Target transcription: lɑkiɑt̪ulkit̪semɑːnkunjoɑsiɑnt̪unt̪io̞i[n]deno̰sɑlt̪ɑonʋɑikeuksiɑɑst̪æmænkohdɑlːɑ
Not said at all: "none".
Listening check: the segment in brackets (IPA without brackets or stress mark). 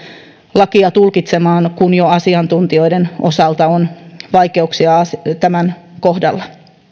none